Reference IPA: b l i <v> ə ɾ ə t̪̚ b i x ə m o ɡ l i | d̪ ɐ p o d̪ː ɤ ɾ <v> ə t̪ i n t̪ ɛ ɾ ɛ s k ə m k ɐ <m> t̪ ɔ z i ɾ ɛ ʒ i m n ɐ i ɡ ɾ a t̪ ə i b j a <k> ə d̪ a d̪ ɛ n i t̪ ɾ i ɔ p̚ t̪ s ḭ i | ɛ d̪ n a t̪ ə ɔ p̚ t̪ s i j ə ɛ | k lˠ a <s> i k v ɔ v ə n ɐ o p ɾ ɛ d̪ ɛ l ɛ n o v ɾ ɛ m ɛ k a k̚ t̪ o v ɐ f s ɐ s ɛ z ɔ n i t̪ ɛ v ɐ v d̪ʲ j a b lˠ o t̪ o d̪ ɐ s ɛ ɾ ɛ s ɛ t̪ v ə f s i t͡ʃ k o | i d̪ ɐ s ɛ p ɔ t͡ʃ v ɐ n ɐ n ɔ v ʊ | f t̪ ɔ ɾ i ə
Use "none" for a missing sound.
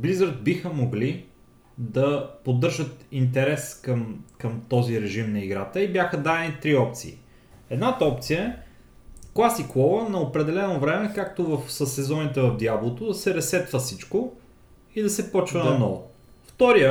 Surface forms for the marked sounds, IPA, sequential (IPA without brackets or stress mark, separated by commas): z, ʒ, m, x, s